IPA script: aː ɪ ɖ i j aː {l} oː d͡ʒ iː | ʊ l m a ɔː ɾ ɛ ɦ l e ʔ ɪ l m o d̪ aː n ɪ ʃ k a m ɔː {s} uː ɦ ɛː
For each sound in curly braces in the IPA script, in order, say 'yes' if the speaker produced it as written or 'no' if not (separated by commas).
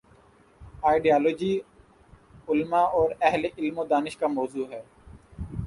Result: yes, no